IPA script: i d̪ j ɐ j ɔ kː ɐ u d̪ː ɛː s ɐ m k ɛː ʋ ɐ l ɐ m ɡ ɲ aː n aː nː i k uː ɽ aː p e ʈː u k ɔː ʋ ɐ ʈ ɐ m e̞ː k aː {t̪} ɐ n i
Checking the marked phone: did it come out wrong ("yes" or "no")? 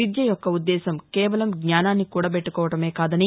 yes